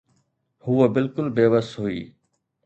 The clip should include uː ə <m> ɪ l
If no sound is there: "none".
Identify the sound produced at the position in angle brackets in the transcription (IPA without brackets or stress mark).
b